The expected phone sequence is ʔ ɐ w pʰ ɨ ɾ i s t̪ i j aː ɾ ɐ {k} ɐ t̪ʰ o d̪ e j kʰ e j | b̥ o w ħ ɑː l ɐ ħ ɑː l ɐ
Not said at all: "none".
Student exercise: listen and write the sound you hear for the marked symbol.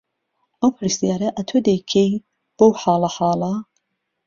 ʔ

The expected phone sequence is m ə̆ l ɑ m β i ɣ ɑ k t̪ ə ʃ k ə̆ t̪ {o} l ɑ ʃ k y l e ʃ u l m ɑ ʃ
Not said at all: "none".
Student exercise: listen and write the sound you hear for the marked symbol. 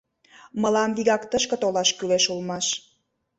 o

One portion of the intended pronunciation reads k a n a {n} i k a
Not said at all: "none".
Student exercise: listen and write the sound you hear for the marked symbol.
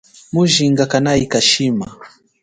none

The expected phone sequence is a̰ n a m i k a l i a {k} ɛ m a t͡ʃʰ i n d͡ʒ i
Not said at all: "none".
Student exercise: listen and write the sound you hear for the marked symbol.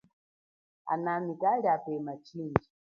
p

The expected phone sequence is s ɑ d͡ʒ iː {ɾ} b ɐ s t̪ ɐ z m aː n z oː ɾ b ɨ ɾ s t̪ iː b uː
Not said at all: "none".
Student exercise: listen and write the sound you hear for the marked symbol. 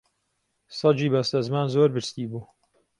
none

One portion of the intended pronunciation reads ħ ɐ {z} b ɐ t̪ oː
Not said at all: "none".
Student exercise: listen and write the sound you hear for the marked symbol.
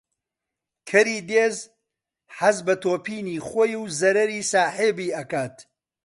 z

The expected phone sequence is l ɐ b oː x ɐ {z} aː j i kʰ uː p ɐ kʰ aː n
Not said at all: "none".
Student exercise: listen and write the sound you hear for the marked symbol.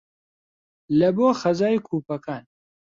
z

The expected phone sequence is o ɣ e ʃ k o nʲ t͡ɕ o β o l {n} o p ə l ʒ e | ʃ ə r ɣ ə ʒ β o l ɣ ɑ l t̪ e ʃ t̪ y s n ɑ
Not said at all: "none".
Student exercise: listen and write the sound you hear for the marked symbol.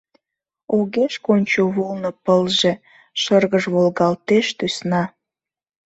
n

